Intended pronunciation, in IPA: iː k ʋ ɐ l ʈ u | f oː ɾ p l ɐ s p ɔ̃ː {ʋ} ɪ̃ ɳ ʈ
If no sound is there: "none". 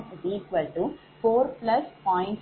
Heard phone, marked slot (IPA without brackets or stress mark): none